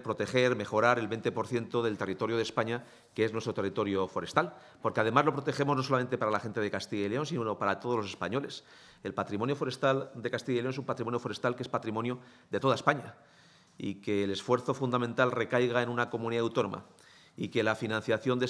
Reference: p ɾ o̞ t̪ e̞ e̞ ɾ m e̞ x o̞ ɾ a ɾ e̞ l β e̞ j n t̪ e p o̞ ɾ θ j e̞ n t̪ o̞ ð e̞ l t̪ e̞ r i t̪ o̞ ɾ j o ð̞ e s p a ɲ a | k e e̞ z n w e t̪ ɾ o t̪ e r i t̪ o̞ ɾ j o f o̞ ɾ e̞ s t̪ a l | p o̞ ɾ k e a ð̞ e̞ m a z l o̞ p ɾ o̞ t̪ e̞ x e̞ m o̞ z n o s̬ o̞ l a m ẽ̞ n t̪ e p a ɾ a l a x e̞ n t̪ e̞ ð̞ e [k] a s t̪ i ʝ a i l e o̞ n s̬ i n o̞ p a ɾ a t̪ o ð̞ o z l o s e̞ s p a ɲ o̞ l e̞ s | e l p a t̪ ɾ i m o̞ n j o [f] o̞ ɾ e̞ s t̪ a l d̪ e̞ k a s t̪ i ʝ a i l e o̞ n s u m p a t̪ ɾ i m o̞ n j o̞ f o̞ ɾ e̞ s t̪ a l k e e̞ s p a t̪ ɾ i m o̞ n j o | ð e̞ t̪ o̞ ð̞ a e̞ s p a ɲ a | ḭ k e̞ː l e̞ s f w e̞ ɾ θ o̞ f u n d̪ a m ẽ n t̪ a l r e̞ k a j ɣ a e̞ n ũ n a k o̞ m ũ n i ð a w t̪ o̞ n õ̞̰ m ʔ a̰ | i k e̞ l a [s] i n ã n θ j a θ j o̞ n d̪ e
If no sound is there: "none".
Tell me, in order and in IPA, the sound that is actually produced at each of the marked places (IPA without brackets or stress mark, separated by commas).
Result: k, f, f